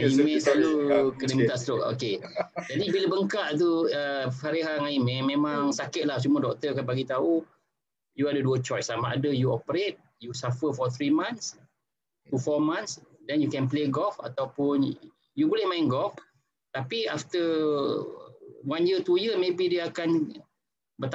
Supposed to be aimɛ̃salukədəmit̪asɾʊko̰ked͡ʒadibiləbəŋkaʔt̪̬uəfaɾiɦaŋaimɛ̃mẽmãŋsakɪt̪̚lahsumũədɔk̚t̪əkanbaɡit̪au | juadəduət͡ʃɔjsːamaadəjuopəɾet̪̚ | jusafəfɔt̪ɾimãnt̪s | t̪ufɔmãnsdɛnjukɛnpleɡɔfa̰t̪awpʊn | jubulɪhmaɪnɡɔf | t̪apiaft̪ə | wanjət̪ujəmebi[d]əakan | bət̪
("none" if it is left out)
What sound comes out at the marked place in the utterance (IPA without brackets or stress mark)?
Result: d